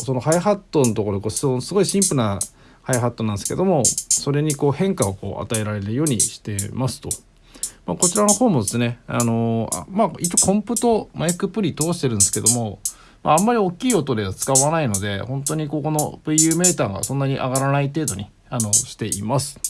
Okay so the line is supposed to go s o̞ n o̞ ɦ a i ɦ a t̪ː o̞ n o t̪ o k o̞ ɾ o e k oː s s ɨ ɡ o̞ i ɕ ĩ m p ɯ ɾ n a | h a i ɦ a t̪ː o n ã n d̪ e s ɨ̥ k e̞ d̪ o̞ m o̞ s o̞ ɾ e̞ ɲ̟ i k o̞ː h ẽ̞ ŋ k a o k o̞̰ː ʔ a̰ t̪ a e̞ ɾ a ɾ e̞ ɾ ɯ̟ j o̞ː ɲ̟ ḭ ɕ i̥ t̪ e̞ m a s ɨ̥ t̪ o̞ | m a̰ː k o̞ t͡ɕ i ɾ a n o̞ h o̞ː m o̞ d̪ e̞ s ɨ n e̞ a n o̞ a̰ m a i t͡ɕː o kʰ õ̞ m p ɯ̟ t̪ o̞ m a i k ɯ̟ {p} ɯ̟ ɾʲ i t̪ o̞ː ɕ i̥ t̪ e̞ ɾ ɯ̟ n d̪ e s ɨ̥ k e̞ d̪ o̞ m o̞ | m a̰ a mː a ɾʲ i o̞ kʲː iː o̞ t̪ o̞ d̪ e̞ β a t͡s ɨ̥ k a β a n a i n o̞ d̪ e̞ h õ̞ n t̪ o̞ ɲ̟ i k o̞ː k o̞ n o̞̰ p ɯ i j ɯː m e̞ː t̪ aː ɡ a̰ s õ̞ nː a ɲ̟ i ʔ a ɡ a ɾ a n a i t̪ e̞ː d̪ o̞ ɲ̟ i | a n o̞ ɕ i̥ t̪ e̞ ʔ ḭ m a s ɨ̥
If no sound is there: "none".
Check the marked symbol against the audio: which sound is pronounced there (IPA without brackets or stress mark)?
p